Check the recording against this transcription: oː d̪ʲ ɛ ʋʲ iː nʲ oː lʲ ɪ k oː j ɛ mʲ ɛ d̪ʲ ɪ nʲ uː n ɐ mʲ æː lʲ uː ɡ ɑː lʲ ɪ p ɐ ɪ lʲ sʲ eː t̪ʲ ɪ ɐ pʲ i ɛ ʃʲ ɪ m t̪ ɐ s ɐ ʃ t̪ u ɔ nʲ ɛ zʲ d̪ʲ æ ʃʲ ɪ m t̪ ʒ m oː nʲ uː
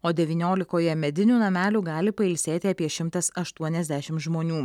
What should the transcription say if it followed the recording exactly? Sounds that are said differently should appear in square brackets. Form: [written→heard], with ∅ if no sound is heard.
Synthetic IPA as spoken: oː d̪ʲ ɛ ʋʲ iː nʲ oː lʲ ɪ k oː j ɛ mʲ ɛ d̪ʲ ɪ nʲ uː n ɐ mʲ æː lʲ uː ɡ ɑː lʲ ɪ p ɐ ɪ lʲ sʲ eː t̪ʲ ɪ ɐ pʲ i ɛ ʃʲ ɪ m t̪ ɐ s ɐ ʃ t̪ u ɔ nʲ ɛ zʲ d̪ʲ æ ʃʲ ɪ m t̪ ʒ m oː nʲ uː